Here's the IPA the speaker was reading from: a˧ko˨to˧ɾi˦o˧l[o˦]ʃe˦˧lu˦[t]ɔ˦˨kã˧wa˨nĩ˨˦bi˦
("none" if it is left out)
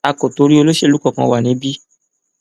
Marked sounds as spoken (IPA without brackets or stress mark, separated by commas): o˦, k